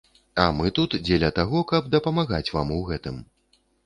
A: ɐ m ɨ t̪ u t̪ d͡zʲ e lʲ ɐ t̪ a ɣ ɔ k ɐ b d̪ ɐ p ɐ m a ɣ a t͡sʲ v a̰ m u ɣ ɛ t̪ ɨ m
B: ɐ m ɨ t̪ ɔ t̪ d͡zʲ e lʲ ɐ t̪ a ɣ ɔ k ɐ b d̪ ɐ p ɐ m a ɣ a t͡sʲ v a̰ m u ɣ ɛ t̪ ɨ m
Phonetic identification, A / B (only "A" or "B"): A